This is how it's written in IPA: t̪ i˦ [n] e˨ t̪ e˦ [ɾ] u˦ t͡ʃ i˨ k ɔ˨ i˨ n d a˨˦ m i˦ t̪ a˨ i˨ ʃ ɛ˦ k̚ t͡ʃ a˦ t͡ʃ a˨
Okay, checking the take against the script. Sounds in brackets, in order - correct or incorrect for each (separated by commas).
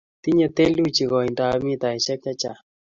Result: incorrect, incorrect